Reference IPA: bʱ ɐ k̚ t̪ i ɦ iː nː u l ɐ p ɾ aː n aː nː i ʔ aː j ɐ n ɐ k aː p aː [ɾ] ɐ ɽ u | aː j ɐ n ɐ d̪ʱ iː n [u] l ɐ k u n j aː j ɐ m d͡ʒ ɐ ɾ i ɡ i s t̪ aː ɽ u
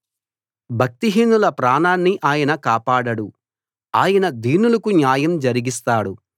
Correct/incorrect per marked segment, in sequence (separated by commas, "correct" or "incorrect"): incorrect, correct